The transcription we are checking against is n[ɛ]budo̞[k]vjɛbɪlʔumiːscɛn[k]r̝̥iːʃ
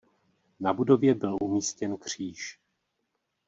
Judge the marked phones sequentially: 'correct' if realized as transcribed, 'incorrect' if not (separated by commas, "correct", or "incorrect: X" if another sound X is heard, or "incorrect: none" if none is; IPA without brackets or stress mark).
incorrect: a, incorrect: none, correct